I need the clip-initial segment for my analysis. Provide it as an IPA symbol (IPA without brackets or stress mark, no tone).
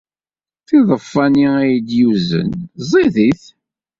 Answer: θ